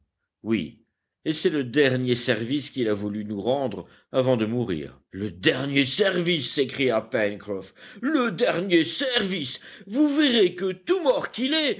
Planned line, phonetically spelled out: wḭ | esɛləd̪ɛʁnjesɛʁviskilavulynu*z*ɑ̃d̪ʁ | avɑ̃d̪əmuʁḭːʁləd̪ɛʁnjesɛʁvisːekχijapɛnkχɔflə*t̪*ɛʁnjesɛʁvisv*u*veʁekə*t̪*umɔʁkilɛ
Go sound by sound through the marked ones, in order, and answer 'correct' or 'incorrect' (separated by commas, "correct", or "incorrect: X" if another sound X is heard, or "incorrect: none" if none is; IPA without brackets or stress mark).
incorrect: ʁ, incorrect: d̪, correct, correct